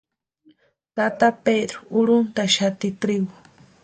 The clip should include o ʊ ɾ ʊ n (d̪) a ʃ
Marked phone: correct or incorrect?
incorrect